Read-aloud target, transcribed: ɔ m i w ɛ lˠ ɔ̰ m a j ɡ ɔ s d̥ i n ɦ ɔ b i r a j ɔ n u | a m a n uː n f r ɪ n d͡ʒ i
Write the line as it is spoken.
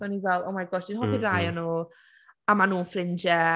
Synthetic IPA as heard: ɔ n i v ɛ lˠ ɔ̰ m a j ɡ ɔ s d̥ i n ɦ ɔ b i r a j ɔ n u | a m a n uː n f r ɪ n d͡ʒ ɛ